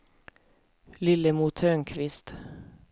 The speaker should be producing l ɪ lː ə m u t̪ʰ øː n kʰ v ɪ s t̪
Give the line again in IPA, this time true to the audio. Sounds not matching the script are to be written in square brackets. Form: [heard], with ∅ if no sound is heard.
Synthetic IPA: l ɪ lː ə m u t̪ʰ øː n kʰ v ɪ s t̪